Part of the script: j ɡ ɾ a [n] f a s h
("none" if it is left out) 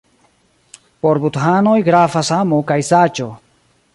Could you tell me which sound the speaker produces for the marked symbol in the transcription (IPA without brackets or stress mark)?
none